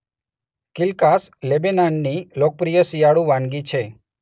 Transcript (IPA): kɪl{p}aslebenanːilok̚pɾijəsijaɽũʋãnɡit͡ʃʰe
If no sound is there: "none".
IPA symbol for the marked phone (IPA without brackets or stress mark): k